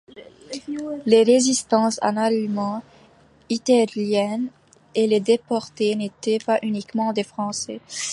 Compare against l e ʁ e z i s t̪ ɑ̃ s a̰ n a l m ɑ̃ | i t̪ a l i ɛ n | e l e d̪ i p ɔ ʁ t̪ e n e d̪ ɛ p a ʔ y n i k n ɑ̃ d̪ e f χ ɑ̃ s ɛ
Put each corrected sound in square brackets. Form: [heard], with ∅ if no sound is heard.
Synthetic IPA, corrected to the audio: l e ʁ e z i s t̪ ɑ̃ s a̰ n a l m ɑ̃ | i t̪ a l [j] ɛ n | e l e d̪ [e] p ɔ ʁ t̪ e n e [t̪] ɛ p a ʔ y n i k [m] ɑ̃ d̪ e f χ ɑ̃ s ɛ